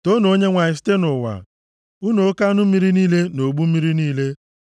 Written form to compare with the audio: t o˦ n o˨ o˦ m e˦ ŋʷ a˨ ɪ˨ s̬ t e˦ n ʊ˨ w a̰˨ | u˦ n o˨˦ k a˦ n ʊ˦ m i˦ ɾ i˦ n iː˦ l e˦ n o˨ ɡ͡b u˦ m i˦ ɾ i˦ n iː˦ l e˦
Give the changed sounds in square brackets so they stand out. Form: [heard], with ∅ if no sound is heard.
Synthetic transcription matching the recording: t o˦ n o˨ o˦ [ɲ] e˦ ŋʷ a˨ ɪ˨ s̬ t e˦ n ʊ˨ w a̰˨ | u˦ n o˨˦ k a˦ n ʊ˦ m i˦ ɾ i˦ n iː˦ l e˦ n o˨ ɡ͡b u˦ m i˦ ɾ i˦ n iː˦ l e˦